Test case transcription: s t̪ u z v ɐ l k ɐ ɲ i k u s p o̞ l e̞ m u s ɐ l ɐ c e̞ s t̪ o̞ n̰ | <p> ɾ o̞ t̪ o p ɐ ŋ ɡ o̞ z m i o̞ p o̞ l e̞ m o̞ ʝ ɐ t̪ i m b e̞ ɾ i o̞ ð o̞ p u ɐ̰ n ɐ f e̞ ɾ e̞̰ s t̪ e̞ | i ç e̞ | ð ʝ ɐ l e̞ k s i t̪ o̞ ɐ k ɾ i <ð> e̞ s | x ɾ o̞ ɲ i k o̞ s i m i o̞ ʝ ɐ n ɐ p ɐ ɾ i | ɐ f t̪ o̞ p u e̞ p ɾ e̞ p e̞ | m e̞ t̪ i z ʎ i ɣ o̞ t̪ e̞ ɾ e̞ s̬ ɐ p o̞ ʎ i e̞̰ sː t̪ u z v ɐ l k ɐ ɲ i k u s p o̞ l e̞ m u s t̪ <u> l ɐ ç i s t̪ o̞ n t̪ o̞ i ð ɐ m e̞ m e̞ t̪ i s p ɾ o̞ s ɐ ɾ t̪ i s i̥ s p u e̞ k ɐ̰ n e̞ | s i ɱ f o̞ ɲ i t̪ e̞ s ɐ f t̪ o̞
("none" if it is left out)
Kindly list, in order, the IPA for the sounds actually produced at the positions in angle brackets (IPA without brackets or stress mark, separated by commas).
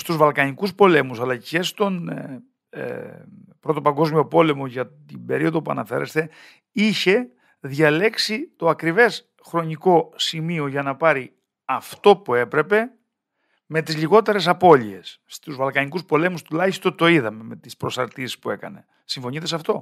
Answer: p, v, u